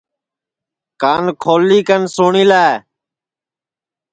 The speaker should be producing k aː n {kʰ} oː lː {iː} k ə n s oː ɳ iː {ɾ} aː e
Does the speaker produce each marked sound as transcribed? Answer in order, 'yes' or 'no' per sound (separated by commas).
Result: yes, yes, no